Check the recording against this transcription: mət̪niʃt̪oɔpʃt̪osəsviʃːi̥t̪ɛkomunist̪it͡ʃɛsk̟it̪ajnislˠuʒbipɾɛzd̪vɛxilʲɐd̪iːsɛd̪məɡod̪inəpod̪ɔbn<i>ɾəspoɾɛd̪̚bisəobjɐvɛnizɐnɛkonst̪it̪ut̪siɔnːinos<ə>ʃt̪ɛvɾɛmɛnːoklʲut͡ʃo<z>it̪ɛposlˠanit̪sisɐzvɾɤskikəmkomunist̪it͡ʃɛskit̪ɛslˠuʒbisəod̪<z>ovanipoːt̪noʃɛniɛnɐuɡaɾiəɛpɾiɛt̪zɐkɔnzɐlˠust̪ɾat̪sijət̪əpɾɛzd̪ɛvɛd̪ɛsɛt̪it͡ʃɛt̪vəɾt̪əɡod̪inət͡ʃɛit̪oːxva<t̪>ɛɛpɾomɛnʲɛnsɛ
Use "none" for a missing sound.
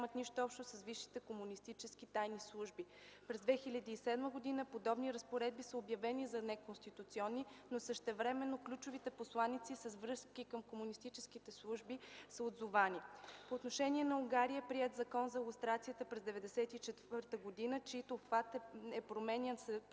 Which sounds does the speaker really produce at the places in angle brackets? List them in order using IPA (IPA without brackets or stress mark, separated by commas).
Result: i, ə, v, z, t̪